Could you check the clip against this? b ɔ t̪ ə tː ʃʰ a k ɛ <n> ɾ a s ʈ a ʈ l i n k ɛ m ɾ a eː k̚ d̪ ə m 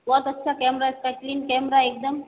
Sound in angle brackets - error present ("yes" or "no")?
yes